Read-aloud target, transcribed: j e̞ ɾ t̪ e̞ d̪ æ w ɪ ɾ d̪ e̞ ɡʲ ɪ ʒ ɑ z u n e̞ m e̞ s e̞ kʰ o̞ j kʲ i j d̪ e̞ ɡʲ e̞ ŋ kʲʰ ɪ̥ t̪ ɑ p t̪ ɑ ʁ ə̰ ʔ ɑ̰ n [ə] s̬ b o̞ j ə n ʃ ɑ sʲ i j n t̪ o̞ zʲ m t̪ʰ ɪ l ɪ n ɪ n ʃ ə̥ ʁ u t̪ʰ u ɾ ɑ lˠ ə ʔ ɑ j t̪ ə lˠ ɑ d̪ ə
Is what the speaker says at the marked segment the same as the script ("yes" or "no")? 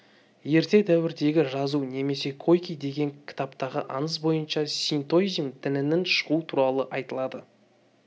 yes